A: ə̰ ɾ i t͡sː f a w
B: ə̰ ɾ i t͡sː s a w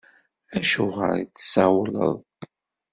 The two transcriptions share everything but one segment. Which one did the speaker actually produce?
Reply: B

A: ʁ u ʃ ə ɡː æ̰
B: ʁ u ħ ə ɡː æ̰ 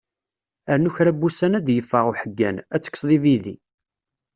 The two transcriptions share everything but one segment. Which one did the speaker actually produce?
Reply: B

